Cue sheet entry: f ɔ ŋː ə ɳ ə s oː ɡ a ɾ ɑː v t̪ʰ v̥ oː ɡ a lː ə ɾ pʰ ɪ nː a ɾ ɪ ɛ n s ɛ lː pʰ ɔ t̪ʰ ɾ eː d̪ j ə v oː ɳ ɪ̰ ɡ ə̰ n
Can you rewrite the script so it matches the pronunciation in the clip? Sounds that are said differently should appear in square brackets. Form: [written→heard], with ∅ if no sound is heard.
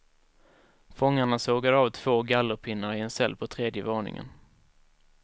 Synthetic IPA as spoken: f ɔ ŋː [ə→a] ɳ [ə→a] s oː ɡ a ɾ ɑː v t̪ʰ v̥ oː ɡ a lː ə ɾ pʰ ɪ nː a ɾ ɪ ɛ n s ɛ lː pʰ ɔ t̪ʰ ɾ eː d̪ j ə v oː ɳ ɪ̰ [ɡ→ŋ] ə̰ n